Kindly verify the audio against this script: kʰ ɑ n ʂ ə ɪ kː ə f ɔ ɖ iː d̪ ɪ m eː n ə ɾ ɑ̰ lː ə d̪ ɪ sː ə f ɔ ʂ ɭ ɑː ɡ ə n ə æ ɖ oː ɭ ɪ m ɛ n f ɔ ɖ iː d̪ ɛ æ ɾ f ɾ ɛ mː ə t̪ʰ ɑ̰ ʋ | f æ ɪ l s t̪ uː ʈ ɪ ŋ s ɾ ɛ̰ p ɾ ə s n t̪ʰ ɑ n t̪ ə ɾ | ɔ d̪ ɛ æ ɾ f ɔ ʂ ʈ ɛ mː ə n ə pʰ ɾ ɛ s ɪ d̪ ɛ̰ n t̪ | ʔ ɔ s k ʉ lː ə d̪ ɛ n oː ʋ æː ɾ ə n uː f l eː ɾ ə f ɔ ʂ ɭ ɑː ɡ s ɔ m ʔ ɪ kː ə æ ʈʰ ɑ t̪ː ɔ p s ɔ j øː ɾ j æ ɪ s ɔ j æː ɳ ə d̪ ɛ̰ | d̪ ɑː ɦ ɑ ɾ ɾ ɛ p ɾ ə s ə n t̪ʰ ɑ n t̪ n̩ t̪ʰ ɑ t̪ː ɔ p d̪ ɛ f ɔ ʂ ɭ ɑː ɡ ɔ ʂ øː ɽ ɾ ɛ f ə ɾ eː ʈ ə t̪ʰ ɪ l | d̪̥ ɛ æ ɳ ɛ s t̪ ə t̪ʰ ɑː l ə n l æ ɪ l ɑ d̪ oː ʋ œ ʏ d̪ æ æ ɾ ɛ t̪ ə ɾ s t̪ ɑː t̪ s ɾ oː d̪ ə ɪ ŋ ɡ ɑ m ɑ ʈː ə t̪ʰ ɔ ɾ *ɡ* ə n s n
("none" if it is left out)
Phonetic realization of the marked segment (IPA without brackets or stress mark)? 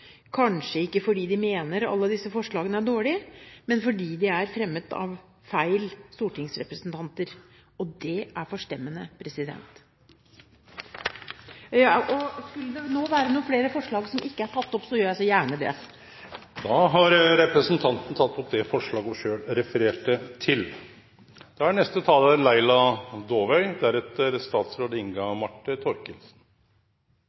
k